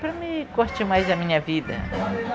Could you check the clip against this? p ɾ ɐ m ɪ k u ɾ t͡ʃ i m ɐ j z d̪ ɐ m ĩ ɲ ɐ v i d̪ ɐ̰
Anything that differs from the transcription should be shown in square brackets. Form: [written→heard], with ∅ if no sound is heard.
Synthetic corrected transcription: p ɾ ɐ m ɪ k [u→o] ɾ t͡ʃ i m [ɐ→a] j z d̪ ɐ m ĩ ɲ ɐ v i d̪ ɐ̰